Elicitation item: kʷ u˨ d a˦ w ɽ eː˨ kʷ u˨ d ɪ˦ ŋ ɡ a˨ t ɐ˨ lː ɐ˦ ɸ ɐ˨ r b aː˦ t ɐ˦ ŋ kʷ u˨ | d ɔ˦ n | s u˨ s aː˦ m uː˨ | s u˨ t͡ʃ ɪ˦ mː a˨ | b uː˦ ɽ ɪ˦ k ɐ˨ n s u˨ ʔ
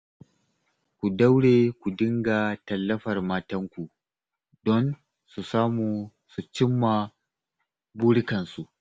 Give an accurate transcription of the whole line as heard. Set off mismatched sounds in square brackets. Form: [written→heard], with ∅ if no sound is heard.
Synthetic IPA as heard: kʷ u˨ d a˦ w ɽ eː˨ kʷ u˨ d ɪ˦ ŋ ɡ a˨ t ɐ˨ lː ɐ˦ ɸ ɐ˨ r [b→m] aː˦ t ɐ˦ ŋ kʷ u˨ | d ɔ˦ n | s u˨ s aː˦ m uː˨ | s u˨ t͡ʃ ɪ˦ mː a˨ | b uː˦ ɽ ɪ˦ k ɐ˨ n s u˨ ʔ